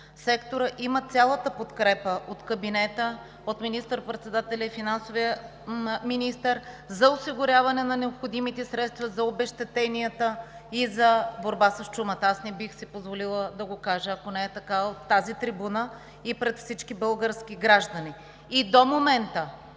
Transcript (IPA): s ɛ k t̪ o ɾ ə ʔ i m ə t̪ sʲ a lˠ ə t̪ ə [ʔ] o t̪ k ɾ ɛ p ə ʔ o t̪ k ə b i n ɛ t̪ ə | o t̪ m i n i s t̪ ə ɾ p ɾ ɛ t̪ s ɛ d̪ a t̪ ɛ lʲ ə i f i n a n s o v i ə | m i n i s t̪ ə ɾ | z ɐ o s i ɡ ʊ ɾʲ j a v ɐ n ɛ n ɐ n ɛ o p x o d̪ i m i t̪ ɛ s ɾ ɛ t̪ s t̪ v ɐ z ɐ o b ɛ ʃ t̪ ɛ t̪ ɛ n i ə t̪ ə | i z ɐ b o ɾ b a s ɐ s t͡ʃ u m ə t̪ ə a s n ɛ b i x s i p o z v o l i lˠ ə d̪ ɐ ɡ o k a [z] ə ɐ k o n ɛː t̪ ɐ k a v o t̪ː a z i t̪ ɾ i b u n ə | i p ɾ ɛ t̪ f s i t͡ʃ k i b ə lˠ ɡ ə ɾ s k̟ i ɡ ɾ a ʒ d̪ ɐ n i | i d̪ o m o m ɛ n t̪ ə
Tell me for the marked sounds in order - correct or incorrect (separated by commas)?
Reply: incorrect, incorrect